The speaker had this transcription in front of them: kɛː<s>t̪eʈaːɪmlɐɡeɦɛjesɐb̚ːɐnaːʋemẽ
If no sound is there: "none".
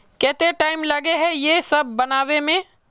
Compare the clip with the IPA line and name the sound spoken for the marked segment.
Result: none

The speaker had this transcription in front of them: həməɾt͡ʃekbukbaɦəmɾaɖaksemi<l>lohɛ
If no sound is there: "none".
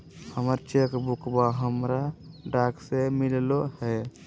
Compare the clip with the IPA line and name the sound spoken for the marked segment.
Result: l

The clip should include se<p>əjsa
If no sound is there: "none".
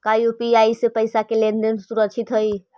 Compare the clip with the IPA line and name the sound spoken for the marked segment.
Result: p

